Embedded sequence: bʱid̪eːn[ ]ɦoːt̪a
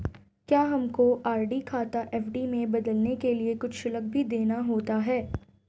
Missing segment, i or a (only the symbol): a